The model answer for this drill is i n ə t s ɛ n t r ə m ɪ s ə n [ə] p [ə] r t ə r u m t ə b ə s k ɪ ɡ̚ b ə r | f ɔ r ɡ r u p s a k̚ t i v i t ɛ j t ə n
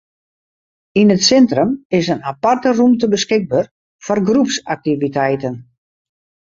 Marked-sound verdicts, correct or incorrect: incorrect: a, incorrect: a

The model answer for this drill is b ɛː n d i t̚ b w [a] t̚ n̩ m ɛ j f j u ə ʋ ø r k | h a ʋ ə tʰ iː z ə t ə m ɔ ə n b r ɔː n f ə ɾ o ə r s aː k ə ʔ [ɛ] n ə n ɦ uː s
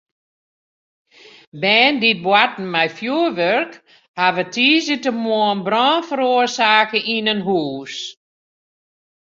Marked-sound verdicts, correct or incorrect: correct, incorrect: i

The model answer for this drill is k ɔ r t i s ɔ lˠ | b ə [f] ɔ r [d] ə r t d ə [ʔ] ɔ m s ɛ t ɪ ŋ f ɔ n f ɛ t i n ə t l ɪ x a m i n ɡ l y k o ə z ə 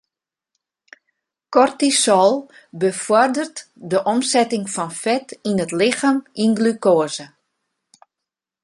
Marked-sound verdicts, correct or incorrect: correct, correct, correct

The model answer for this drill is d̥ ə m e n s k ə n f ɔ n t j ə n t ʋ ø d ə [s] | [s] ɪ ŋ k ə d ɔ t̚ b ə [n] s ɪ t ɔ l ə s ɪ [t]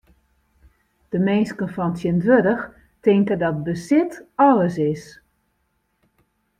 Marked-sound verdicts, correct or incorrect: incorrect: x, incorrect: t, incorrect: none, incorrect: s

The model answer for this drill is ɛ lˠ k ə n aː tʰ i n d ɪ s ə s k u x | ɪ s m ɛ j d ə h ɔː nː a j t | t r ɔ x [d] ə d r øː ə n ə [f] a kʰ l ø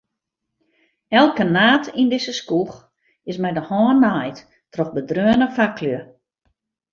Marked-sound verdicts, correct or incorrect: incorrect: b, correct

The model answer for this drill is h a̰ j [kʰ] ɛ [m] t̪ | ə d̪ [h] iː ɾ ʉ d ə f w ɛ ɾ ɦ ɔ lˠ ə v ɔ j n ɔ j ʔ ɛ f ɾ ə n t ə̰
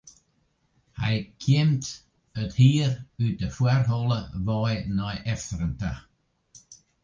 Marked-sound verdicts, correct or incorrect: correct, correct, correct

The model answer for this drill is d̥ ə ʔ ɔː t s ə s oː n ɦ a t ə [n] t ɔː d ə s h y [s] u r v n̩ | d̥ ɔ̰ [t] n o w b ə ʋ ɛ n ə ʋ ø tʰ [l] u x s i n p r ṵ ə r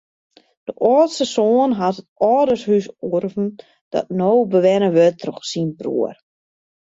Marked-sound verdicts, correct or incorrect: incorrect: none, correct, correct, incorrect: r

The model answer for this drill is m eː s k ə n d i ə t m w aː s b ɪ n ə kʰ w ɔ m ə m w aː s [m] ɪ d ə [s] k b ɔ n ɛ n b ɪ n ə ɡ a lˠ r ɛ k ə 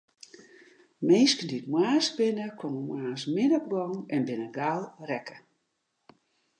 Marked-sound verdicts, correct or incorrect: correct, incorrect: none

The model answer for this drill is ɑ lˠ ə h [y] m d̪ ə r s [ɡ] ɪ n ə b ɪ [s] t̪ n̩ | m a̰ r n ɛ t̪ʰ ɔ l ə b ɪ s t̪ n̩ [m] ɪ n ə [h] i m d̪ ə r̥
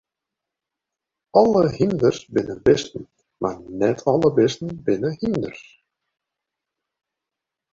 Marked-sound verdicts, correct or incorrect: incorrect: i, incorrect: b, correct, incorrect: b, correct

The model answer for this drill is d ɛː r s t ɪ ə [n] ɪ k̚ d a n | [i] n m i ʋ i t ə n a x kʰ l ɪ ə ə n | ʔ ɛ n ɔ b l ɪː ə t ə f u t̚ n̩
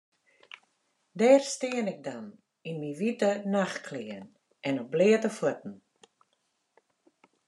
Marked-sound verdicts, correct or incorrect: correct, correct

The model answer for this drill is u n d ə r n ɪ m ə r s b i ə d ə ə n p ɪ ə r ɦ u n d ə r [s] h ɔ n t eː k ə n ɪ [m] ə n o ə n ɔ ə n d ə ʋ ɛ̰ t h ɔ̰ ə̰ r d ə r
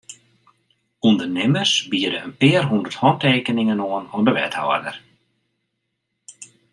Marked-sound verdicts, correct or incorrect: incorrect: t, incorrect: ŋ

